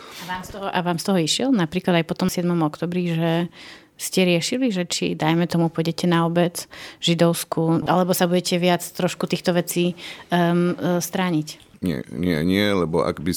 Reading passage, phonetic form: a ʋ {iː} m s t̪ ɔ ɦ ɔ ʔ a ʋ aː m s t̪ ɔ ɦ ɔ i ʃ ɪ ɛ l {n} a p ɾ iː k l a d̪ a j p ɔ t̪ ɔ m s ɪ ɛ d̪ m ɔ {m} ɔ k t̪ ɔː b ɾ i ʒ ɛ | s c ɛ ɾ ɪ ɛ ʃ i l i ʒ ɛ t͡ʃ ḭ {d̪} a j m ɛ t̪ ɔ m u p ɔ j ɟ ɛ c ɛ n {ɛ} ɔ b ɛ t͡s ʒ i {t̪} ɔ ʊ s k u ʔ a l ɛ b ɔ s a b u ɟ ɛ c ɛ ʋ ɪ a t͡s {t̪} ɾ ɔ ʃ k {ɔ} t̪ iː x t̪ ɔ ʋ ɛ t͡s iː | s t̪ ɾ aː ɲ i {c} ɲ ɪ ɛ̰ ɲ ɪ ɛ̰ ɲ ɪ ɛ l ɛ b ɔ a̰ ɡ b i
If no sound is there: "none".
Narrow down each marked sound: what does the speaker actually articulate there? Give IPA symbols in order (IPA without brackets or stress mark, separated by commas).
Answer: aː, n, m, d̪, a, d̪, t̪, u, c